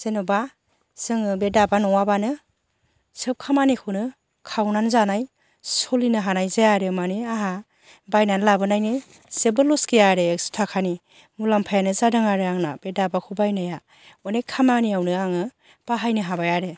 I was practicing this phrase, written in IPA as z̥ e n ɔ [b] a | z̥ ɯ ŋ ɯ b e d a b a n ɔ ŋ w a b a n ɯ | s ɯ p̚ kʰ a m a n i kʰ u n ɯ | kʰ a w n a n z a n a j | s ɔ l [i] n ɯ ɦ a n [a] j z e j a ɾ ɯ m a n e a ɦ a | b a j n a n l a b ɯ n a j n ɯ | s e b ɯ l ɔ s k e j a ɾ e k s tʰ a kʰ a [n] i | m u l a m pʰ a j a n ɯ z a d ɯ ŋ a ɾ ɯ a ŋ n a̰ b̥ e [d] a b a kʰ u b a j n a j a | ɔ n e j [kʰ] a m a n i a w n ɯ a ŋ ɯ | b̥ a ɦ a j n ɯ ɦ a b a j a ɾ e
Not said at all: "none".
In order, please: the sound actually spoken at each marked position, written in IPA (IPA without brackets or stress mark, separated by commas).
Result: b, i, a, n, d, kʰ